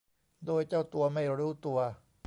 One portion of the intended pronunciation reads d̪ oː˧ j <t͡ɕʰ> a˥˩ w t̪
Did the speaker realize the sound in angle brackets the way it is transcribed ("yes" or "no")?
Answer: no